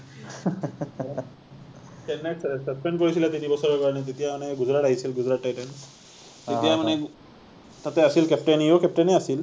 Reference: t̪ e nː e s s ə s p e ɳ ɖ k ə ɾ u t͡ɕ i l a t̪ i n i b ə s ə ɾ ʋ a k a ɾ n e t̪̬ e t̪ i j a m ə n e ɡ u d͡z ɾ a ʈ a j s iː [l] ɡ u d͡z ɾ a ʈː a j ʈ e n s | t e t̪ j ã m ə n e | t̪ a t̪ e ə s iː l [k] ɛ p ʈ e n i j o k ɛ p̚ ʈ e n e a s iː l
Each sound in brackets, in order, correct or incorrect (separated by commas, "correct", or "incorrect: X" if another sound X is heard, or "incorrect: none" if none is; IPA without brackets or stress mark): correct, correct